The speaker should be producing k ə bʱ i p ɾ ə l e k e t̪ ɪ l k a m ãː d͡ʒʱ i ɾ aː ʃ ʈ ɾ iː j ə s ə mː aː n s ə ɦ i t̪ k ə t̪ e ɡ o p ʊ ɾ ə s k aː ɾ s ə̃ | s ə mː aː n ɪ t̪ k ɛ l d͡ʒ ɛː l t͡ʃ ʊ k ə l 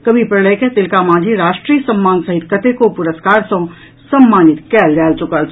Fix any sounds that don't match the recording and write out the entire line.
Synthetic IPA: k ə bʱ i p ɾ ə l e k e t̪ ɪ l k a m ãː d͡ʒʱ i ɾ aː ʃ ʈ ɾ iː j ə s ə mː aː n s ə ɦ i t̪ k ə t̪ e k o p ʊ ɾ ə s k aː ɾ s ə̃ | s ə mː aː n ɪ t̪ k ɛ l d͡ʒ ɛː l t͡ʃ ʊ k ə l